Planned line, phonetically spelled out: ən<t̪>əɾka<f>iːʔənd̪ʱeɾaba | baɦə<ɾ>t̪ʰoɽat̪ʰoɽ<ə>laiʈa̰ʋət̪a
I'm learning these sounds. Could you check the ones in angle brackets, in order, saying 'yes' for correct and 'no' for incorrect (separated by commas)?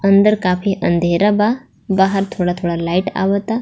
no, yes, yes, no